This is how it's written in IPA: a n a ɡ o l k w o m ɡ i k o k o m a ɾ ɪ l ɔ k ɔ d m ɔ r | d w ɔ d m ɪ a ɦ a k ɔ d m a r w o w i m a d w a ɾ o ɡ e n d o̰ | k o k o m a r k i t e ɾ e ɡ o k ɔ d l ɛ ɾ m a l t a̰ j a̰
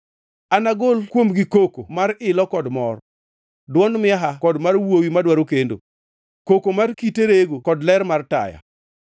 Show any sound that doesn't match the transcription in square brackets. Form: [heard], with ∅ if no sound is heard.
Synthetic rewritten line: a n a ɡ o l k w o m ɡ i k o k o m a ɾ ɪ l ɔ k ɔ d m ɔ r | d w ɔ [n] m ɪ a ɦ a k ɔ d m a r w o w i m a d w a ɾ o [k] e n d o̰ | k o k o m a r k i t e ɾ e ɡ o k ɔ d l ɛ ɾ m a [r] t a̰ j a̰